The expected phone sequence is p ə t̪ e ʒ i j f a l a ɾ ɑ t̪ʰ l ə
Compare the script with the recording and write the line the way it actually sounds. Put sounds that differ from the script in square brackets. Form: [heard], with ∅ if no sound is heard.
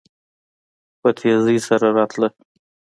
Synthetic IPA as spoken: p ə [t̪ʰ] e [z] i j [s] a [ɾ] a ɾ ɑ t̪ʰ l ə